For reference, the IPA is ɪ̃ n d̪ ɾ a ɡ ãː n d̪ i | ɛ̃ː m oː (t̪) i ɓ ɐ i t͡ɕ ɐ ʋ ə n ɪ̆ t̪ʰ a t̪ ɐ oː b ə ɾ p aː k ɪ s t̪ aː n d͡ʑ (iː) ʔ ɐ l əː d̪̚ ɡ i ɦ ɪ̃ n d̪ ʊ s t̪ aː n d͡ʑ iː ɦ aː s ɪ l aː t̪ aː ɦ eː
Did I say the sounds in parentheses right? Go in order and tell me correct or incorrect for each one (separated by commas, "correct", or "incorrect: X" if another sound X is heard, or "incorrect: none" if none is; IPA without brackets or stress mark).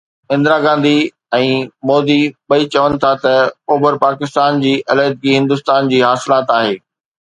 incorrect: d̪, correct